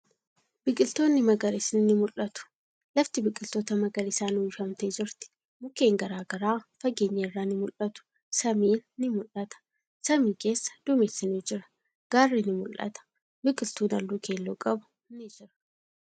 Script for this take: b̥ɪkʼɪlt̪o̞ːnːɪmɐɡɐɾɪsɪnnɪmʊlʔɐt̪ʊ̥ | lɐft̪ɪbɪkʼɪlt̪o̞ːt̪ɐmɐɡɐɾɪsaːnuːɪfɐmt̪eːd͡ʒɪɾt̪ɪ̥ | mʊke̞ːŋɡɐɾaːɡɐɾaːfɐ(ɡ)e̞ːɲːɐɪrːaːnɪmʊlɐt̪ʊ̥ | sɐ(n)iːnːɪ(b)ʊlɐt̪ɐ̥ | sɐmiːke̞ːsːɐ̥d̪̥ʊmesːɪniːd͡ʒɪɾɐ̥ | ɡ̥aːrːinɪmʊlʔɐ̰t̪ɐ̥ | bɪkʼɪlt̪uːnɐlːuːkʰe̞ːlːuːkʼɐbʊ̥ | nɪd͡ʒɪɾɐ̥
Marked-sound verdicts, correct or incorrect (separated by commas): correct, incorrect, incorrect